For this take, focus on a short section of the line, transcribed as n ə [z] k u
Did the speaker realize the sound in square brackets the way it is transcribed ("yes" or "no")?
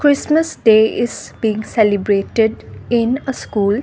no